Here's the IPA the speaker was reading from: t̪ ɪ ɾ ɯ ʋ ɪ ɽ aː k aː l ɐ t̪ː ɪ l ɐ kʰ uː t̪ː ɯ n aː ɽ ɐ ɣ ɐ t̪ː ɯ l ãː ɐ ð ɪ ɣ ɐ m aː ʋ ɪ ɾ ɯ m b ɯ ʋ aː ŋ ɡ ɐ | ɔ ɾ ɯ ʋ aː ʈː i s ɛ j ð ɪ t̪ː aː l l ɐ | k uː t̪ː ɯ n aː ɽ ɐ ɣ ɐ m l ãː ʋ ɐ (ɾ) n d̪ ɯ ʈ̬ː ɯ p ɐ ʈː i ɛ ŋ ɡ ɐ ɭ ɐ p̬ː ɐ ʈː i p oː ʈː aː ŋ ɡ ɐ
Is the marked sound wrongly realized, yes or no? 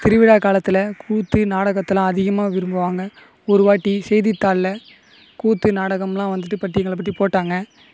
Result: yes